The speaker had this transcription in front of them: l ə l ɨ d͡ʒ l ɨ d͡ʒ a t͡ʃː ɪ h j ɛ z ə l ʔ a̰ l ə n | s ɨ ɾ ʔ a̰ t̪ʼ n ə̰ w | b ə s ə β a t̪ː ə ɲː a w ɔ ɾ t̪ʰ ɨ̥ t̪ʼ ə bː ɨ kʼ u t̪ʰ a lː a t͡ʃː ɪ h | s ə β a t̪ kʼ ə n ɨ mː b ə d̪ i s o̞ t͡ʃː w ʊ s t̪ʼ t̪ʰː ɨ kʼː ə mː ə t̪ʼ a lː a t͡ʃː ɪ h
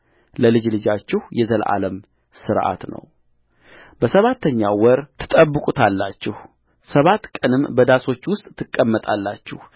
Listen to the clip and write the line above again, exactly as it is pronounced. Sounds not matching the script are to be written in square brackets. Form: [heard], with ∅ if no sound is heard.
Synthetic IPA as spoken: l ə l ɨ d͡ʒ l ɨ d͡ʒ a t͡ʃː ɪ h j ɛ z ə l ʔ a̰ l ə [m] | s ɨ ɾ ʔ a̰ [t̪] n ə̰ w | b ə s ə β a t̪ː ə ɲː a w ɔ ɾ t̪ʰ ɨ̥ t̪ʼ ə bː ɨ kʼ u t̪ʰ a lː a t͡ʃː ɪ h | s ə β a t̪ kʼ ə n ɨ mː b ə d̪ [a] s o̞ t͡ʃː w ʊ s t̪ʼ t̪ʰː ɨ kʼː ə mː ə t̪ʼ a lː a t͡ʃː ɪ h